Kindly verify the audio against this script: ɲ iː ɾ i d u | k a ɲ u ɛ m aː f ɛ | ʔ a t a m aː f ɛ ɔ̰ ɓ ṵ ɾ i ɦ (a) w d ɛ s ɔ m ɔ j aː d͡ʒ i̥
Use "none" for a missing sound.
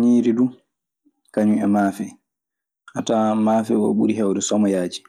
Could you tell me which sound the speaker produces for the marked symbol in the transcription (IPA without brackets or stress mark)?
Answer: ɛ